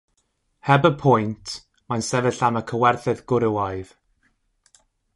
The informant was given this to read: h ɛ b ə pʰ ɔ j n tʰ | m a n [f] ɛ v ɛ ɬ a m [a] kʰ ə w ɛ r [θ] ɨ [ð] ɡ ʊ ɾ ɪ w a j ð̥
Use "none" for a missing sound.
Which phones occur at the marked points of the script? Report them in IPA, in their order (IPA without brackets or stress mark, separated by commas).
s, ə, θ, ð